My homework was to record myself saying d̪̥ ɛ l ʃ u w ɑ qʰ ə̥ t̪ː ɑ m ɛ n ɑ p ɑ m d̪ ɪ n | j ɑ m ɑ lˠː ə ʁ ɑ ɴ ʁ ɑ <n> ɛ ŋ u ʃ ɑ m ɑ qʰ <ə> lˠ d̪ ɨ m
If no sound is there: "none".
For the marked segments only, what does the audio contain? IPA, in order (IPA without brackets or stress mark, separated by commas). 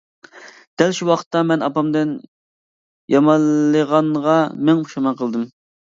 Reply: m, ə